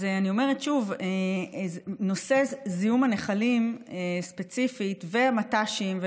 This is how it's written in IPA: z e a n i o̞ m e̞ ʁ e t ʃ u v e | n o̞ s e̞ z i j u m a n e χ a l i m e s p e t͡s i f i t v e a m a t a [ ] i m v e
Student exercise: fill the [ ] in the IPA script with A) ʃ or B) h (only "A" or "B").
A